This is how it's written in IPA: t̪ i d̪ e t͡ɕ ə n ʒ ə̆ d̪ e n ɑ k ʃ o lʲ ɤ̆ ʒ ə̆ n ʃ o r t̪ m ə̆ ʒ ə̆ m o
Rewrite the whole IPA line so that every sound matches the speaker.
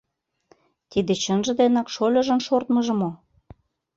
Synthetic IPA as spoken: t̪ i d̪ e t͡ɕ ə n ʒ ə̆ d̪ e n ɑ k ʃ o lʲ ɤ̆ ʒ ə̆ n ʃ o r t̪ m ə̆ ʒ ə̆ m o